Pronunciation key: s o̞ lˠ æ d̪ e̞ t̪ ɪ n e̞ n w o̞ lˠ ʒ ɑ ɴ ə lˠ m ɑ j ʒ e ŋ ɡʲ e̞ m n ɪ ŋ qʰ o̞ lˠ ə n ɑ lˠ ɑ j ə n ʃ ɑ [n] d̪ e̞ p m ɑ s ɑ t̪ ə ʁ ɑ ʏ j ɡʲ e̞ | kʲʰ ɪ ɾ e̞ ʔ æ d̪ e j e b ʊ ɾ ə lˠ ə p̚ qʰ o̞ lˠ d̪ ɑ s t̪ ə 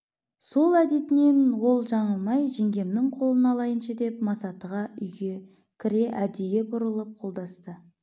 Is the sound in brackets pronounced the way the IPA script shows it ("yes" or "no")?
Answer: no